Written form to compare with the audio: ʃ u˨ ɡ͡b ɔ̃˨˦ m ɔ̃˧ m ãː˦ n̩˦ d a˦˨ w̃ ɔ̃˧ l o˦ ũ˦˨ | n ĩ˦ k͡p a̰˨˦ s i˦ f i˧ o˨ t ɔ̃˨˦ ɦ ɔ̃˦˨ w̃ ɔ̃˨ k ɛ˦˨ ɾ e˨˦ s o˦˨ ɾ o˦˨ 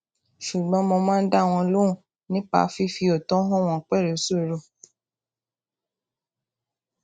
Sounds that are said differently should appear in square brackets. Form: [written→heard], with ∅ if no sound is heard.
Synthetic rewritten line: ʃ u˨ ɡ͡b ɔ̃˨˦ m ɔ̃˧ m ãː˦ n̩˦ d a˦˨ w̃ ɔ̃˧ l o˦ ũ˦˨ | n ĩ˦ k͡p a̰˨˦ [s→f] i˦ f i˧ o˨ t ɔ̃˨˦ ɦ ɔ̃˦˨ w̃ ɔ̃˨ [k→k͡p] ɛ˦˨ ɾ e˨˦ s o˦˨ ɾ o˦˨